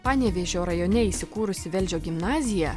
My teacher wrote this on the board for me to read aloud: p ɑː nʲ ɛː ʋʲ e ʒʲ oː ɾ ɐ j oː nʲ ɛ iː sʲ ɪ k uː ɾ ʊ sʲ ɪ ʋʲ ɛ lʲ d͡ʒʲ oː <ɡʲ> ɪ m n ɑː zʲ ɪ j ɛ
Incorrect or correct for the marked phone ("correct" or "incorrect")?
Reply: correct